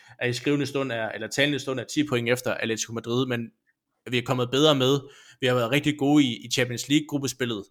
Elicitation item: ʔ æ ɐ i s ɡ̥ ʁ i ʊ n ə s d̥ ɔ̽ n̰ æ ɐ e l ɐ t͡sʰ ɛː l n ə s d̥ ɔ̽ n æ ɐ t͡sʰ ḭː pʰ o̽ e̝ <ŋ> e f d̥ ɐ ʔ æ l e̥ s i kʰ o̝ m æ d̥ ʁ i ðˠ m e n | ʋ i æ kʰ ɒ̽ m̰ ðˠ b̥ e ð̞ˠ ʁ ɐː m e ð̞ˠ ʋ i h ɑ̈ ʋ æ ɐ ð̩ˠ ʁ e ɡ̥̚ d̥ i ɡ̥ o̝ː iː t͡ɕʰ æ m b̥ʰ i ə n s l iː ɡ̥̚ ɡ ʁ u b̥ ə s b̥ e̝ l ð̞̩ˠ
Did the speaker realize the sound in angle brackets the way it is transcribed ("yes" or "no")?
yes